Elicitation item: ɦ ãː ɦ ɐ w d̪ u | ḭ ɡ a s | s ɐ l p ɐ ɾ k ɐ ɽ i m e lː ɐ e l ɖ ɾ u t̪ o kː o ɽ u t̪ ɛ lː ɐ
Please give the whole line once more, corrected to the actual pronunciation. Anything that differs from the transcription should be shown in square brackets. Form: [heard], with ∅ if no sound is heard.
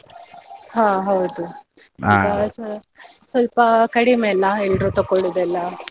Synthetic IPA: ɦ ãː ɦ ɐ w d̪ u | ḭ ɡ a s | s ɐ l p ɐ [∅] k ɐ ɽ i m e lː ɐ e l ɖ ɾ u t̪ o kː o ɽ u [d̪] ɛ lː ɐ